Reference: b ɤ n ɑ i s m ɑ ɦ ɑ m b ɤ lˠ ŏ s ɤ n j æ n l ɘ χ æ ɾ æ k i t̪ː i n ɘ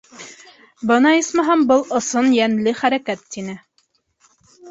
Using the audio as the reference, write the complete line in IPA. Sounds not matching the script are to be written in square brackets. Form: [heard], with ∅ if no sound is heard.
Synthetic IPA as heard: b ɤ n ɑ i s m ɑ ɦ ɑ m b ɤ lˠ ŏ s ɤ n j æ n l ɘ χ æ ɾ æ k [æ] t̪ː i n ɘ